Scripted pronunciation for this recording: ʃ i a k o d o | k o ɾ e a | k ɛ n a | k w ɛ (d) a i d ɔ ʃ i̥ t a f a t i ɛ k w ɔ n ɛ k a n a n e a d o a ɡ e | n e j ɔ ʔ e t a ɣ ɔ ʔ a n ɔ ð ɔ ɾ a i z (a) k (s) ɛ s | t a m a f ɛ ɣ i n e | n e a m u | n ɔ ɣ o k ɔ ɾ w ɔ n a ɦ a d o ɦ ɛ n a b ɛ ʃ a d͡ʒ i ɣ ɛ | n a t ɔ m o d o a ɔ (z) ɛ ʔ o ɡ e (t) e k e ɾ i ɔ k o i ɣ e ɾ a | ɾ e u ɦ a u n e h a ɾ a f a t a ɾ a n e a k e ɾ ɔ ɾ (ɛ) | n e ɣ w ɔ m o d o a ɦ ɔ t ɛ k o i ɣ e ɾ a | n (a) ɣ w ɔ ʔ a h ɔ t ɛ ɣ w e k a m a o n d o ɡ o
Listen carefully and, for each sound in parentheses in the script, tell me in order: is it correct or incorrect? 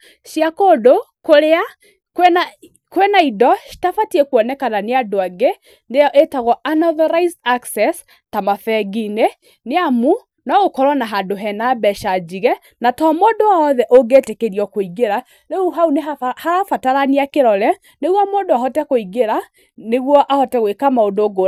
incorrect, correct, correct, incorrect, correct, correct, incorrect

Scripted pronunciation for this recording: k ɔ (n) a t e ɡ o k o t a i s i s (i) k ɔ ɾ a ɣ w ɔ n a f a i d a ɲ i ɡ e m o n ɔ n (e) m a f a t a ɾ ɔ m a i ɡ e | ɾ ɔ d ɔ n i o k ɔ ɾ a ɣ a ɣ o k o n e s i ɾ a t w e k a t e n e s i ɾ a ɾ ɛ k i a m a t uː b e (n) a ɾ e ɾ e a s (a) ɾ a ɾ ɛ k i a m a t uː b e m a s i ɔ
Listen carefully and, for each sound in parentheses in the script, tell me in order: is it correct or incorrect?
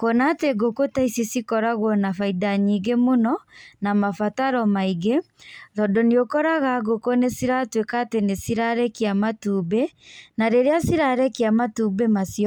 correct, correct, incorrect, correct, incorrect

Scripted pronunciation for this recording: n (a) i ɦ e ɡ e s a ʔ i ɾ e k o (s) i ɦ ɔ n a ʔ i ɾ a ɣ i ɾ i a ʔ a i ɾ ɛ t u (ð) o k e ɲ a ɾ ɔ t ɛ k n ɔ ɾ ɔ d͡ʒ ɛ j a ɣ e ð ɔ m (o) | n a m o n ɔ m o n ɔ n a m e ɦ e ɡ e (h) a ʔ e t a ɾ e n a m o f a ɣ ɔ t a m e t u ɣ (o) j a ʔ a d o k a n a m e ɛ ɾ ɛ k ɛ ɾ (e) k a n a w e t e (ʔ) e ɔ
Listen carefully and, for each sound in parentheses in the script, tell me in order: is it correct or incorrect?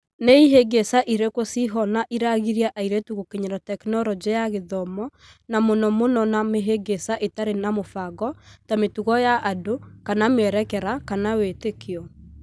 incorrect, correct, incorrect, incorrect, incorrect, incorrect, incorrect, incorrect

